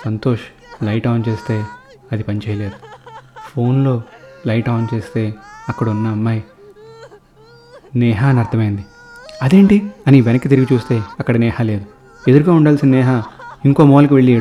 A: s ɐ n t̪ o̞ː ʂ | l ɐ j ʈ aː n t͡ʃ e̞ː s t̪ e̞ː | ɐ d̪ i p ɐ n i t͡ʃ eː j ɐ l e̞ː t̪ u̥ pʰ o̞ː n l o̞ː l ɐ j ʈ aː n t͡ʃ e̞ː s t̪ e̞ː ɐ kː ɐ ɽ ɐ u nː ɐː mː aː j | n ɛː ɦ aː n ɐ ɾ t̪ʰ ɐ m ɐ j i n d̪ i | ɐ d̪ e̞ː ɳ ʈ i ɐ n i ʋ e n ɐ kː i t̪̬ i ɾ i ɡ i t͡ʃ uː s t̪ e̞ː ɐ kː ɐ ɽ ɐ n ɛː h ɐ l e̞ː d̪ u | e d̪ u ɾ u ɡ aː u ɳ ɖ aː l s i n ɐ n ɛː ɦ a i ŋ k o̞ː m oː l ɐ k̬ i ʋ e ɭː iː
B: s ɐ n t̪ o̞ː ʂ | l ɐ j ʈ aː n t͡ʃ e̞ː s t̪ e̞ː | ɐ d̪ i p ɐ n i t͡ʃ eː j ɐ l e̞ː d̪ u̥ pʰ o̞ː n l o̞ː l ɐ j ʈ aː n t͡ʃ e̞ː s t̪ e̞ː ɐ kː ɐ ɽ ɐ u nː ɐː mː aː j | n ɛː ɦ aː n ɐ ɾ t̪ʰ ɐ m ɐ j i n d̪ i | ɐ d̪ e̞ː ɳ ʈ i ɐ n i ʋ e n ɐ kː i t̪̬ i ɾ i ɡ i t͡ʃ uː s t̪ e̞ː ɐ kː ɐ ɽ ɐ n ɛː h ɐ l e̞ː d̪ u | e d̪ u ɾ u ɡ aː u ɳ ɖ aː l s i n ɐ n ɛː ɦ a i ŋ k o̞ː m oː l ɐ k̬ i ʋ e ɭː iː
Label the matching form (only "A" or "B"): B